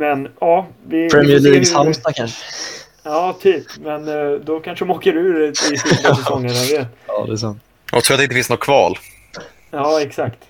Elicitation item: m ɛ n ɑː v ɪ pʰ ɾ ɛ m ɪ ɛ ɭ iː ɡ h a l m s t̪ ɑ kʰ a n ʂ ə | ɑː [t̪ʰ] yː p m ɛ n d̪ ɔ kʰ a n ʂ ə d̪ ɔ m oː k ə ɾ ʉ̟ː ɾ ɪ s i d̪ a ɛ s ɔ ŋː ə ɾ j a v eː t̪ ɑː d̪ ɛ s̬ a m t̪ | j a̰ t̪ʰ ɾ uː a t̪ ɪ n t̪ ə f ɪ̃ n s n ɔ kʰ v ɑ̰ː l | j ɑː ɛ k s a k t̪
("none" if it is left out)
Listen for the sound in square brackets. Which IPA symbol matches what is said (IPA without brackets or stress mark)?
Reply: t̪ʰ